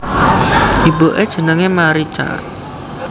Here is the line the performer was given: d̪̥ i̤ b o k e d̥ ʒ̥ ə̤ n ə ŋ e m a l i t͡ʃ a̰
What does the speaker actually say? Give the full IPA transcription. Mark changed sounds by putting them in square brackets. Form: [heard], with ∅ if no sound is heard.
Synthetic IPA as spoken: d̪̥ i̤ b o [ʔ] e d̥ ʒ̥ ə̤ n ə ŋ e m a [ɾ] i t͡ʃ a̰

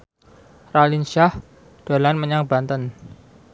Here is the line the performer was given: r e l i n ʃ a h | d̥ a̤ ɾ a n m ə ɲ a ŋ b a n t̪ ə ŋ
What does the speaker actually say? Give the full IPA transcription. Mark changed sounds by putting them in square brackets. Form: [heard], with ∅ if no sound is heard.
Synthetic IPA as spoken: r [a] l i n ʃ a h | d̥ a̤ [l] a n m ə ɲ a ŋ b a n t̪ ə [n]

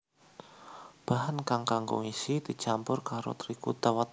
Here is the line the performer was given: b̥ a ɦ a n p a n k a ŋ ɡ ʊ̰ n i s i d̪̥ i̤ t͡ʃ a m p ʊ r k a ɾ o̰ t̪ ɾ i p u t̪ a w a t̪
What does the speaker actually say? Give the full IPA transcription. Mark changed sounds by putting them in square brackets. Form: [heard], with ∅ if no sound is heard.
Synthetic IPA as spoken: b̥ a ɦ a n [k] a [ŋ] k a ŋ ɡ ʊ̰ [ŋ] i s i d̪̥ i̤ t͡ʃ a m p ʊ r k a ɾ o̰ t̪ ɾ i [k] u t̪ a w a t̪

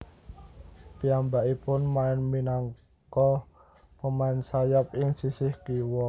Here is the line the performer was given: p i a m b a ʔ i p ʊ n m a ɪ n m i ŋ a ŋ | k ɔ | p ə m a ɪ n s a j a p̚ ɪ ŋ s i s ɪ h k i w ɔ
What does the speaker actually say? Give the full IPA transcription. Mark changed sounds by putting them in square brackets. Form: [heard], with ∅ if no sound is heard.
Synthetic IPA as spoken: p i a m b a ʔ i p ʊ n m a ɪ n m i [n] a ŋ | k ɔ | p ə m a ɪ n s a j a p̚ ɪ ŋ s i s ɪ h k i w ɔ

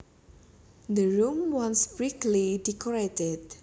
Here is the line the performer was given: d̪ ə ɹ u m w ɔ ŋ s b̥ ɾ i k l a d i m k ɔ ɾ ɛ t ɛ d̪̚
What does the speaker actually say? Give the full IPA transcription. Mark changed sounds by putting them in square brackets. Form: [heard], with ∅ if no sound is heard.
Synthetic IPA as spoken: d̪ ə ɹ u m w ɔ [n] s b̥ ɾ i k l [i] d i [∅] k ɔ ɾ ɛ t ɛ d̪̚

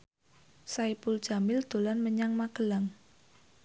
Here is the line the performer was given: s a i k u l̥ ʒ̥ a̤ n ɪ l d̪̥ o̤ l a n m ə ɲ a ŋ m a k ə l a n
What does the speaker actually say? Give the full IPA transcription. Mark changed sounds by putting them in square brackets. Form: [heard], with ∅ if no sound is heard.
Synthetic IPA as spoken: s a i [p] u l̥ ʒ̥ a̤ [m] ɪ l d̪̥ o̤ l a n m ə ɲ a ŋ m a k ə l a [ŋ]

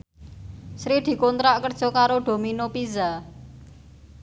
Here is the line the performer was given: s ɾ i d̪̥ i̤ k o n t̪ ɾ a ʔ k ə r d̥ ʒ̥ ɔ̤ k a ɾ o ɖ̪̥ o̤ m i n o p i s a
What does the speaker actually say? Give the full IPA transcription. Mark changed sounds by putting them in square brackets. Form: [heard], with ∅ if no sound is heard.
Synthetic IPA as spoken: s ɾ i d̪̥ i̤ k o n t̪ ɾ a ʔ k ə r d̥ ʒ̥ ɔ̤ k a ɾ o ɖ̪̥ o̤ m i n o p i [z] a

